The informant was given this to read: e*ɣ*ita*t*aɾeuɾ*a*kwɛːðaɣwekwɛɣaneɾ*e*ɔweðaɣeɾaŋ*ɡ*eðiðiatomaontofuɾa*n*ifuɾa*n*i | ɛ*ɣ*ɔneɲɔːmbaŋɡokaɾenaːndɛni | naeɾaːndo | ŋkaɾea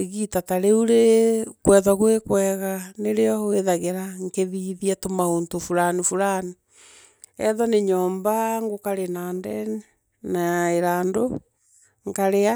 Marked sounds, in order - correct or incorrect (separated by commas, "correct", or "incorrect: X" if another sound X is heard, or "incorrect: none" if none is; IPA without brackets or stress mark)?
correct, correct, incorrect: e, correct, incorrect: k, correct, correct, incorrect: ð